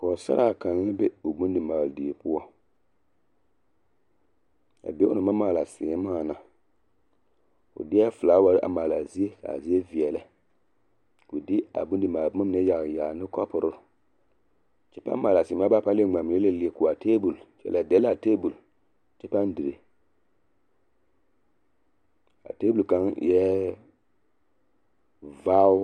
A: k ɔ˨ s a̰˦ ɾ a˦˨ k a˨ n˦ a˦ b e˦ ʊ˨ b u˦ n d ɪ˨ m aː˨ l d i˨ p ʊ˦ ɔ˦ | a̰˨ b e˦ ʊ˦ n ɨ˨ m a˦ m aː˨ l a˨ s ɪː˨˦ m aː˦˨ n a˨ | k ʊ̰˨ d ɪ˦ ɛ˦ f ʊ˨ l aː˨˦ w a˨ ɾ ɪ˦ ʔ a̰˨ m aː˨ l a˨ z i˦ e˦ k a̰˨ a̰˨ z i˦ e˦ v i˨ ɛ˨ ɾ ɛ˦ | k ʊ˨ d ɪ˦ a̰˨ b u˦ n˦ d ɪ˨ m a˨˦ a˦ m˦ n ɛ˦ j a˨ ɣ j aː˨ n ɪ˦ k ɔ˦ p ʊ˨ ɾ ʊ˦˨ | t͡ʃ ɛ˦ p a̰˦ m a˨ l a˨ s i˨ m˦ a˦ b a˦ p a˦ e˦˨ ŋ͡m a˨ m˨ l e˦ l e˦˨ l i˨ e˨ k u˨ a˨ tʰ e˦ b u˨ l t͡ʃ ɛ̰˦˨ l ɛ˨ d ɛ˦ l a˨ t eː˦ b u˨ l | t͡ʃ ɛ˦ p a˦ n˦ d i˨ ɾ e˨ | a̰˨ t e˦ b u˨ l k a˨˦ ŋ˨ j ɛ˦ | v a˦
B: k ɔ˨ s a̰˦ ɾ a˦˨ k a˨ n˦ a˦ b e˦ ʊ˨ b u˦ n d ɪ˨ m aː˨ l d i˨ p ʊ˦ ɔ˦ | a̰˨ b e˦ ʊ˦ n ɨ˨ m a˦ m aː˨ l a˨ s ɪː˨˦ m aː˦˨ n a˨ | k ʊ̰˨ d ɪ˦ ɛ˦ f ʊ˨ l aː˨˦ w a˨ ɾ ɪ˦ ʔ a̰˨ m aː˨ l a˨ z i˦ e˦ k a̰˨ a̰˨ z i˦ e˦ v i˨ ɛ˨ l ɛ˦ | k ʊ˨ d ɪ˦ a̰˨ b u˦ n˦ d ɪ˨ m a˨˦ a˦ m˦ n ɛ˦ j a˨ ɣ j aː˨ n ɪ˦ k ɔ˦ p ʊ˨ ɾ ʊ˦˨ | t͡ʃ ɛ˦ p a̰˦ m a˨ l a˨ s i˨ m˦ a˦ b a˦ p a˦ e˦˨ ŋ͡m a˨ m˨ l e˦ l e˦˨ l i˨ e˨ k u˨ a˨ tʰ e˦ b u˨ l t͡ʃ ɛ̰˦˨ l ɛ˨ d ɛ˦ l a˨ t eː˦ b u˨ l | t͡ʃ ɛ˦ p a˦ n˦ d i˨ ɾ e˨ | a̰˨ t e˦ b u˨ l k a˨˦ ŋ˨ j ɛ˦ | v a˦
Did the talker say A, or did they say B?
B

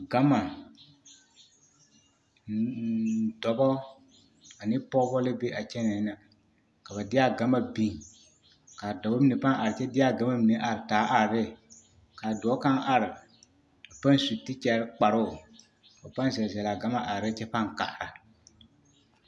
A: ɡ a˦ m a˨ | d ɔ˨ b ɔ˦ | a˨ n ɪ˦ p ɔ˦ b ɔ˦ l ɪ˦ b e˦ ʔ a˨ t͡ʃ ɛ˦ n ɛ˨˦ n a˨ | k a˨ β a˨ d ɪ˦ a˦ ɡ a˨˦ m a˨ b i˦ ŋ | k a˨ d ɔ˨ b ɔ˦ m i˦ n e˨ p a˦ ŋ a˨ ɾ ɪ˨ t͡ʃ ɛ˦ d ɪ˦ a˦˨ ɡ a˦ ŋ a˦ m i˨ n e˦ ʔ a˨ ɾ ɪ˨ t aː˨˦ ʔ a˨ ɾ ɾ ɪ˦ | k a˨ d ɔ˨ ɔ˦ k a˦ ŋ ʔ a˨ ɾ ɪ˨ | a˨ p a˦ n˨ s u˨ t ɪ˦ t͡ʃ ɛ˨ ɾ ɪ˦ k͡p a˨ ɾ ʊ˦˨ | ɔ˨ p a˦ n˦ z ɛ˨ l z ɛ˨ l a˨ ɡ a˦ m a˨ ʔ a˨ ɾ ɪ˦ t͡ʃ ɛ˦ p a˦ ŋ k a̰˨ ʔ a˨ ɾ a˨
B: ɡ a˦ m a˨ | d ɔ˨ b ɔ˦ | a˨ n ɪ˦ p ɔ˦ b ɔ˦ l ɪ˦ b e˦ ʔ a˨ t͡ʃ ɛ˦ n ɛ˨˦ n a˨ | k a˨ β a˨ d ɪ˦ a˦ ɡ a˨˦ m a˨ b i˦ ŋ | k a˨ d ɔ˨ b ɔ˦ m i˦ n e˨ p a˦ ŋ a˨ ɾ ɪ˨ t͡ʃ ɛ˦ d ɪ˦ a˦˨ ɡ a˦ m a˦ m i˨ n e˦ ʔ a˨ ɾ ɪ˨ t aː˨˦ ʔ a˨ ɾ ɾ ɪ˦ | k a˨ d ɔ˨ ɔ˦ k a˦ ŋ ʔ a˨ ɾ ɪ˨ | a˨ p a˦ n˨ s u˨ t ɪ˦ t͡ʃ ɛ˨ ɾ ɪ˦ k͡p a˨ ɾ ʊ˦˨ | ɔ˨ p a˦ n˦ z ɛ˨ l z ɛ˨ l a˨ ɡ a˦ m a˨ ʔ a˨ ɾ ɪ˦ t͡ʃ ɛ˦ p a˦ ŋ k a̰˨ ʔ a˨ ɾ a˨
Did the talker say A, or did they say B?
B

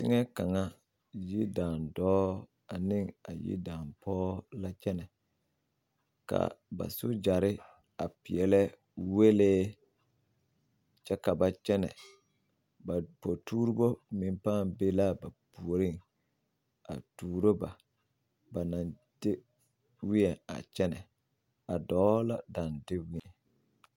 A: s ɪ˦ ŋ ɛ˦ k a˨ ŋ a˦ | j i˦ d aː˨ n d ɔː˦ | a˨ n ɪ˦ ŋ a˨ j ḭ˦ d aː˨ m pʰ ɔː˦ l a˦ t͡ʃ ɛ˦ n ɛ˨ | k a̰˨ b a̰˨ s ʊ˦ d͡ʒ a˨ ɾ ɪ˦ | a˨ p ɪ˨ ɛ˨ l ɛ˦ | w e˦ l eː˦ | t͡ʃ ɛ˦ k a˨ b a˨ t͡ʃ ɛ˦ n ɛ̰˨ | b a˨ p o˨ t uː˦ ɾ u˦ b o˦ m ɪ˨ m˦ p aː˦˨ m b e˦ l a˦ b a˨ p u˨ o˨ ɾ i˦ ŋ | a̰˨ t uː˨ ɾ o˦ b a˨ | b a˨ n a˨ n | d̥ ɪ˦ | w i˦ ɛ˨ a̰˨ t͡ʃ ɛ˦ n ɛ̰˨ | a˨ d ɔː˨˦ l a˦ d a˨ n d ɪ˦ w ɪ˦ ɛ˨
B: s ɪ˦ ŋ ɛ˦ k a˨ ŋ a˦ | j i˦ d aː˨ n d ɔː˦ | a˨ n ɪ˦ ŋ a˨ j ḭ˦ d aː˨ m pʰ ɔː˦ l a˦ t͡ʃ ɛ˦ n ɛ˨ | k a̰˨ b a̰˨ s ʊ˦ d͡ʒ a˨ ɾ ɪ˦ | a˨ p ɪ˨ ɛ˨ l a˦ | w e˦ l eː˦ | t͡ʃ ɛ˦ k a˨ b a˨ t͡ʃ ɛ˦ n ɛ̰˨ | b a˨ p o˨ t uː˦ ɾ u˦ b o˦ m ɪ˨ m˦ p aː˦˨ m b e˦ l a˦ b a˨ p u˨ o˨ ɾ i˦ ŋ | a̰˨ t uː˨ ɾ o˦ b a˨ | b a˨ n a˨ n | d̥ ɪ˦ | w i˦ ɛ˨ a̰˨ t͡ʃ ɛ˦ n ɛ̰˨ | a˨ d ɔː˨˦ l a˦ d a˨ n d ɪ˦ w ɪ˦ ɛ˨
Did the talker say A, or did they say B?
A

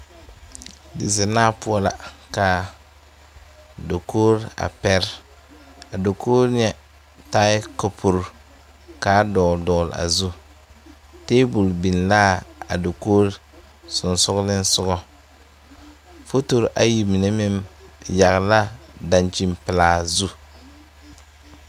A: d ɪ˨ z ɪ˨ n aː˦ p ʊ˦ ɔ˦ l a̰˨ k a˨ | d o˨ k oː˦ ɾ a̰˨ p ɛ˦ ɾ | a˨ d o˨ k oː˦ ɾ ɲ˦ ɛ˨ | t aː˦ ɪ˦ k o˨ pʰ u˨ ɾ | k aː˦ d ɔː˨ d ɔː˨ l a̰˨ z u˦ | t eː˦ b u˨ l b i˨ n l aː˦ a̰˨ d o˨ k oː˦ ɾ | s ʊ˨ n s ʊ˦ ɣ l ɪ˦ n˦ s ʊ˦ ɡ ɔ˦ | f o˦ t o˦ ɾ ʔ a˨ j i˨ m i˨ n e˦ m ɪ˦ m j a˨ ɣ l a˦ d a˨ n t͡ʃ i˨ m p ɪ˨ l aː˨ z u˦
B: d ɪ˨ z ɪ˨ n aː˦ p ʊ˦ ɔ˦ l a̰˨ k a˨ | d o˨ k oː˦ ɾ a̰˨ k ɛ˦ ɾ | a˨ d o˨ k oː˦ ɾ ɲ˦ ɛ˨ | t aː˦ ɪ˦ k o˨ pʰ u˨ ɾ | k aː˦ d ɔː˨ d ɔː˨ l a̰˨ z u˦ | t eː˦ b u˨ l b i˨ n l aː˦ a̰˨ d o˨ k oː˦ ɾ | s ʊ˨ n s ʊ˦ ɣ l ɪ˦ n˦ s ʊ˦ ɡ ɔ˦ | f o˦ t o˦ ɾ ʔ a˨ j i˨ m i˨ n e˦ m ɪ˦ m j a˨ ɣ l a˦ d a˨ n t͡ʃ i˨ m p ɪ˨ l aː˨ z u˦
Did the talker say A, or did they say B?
A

